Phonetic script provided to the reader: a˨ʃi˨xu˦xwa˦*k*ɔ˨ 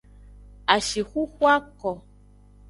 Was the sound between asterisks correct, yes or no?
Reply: yes